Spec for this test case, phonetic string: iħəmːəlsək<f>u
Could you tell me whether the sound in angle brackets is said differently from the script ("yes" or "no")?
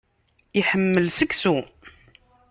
yes